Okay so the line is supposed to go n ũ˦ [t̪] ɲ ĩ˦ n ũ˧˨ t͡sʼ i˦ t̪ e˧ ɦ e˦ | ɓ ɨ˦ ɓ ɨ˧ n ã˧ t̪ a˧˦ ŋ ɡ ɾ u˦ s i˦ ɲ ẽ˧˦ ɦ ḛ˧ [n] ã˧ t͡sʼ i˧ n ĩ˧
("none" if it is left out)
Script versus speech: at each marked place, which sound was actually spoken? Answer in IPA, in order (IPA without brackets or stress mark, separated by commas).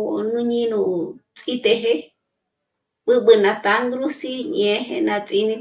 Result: none, n